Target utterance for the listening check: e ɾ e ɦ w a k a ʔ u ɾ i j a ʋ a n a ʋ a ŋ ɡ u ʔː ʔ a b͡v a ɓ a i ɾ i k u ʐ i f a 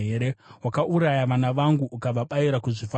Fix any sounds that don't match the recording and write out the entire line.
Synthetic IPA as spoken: e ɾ e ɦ w a k a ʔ u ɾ a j a ʋ a n a ʋ a ŋ ɡ u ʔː k a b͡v a ɓ a i ɾ a k u ʐ i f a